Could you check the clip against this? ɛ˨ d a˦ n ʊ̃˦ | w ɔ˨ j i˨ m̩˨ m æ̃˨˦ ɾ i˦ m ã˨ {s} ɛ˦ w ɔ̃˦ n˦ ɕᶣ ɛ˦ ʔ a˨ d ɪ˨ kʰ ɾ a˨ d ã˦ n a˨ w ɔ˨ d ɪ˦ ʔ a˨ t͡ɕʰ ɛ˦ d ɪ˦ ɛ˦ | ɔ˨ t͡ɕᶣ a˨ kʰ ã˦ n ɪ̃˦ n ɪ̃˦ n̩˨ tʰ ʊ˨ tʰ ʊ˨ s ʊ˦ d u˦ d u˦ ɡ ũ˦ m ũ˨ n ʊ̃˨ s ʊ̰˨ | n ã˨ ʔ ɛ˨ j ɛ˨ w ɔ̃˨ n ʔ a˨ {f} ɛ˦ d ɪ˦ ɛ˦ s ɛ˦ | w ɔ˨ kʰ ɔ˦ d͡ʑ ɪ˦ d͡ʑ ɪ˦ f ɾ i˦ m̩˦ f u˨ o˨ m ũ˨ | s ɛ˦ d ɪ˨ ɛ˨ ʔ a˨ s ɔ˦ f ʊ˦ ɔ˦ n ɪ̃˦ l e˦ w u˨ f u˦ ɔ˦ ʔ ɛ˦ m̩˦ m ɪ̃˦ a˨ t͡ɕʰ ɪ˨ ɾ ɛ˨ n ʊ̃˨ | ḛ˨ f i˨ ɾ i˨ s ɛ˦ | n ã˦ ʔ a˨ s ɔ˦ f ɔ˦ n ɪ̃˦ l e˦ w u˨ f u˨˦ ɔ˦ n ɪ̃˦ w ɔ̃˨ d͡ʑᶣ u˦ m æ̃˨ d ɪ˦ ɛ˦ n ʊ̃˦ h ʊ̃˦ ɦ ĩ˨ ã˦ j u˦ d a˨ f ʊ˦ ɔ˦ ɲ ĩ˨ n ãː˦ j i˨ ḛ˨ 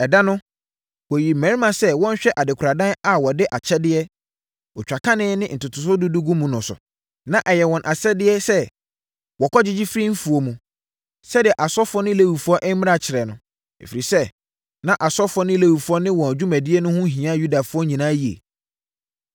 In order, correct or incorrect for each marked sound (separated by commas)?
correct, incorrect